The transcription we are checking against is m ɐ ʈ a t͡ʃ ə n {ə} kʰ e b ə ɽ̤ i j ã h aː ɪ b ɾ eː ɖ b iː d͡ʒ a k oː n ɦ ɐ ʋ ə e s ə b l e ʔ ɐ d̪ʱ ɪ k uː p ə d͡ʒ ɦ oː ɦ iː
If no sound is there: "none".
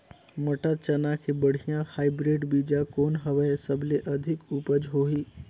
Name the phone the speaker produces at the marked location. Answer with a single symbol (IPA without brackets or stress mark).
a